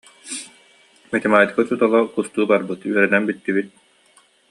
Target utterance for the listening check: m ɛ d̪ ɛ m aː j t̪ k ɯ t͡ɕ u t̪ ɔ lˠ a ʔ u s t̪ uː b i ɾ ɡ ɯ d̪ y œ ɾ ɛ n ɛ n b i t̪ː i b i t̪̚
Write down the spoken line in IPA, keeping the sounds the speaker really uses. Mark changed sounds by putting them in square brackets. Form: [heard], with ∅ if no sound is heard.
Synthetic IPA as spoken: m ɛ [t̪] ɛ m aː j t̪ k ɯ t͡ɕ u t̪ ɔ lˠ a [k] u s t̪ uː b [a] ɾ [b] ɯ [t̪] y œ ɾ ɛ n ɛ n b i t̪ː i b i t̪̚